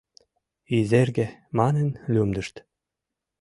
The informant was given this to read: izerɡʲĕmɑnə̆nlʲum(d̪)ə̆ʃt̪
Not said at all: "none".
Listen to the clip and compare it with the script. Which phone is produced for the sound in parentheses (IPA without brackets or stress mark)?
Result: d̪